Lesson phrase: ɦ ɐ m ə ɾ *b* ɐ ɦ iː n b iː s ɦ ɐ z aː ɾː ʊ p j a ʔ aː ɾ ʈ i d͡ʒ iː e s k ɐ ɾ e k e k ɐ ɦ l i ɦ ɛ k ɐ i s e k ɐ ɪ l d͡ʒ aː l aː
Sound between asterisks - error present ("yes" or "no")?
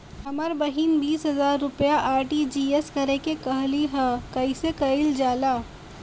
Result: no